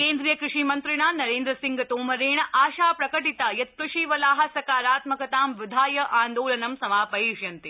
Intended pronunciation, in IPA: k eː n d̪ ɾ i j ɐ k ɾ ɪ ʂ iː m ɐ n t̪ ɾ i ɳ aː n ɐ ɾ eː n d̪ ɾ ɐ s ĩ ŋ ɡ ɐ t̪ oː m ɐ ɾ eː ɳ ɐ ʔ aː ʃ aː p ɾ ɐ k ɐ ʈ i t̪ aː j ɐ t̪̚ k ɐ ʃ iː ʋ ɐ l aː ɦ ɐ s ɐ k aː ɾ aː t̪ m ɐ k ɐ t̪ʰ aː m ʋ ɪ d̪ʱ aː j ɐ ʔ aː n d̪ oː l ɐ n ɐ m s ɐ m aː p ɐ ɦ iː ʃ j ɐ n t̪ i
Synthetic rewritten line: k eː n d̪ ɾ i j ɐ k ɾ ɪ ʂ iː m ɐ n t̪ ɾ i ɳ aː n ɐ ɾ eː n d̪ ɾ ɐ s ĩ ŋ ɡ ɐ t̪ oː m ɐ ɾ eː ɳ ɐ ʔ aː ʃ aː p ɾ ɐ k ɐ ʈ i t̪ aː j ɐ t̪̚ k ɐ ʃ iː ʋ ɐ l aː ɦ ɐ s ɐ k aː ɾ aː t̪ m ɐ k ɐ t̪ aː m ʋ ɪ d̪ʱ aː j ɐ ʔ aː n d̪ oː l ɐ n ɐ m s ɐ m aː p ɐ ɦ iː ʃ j ɐ n t̪ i